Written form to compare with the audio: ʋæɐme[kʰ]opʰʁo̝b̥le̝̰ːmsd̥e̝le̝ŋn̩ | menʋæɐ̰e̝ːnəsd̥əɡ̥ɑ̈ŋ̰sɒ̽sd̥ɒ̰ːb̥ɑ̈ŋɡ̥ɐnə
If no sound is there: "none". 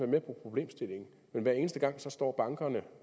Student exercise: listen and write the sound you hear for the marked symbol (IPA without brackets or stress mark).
pʰ